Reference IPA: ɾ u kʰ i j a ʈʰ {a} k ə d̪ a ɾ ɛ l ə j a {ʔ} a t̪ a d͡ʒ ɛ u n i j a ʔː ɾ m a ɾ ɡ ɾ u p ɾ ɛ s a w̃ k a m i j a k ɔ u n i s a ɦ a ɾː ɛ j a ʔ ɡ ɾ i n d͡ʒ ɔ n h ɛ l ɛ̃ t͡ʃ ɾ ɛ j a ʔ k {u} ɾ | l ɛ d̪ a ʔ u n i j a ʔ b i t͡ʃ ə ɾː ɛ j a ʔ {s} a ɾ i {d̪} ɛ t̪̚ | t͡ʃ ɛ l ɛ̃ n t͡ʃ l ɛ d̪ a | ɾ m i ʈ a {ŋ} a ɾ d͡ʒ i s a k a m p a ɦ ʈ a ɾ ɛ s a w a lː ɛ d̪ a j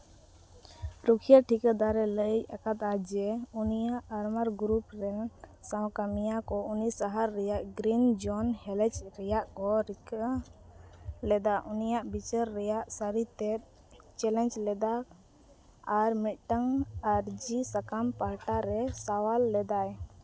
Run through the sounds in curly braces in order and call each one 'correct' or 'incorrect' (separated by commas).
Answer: incorrect, incorrect, incorrect, correct, incorrect, correct